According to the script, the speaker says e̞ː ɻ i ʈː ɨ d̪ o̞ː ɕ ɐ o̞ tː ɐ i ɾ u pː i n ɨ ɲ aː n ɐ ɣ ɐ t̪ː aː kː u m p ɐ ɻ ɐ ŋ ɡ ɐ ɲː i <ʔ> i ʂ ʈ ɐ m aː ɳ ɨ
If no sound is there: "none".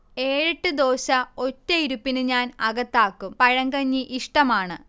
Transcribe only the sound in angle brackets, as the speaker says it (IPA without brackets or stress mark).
ʔ